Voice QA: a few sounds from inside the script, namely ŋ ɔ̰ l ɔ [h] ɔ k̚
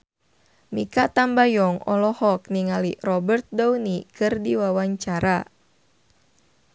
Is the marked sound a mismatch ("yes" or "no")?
no